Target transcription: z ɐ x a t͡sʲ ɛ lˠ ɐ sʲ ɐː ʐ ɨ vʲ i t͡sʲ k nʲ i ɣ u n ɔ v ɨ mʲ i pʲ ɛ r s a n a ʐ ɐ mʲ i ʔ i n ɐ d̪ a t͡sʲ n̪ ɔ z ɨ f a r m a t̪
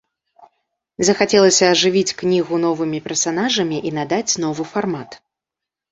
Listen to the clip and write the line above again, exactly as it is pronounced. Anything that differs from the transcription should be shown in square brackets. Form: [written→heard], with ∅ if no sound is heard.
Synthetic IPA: z ɐ x a t͡sʲ ɛ lˠ ɐ sʲ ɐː ʐ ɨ vʲ i t͡sʲ k nʲ i ɣ u n ɔ v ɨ mʲ i pʲ ɛ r s a n a ʐ ɐ mʲ i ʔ i n [ɐ→a] d̪ a t͡sʲ n̪ ɔ [z→v] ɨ f a r m a t̪